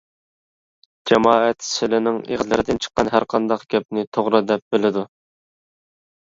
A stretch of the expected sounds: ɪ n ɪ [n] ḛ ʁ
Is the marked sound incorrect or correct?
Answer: incorrect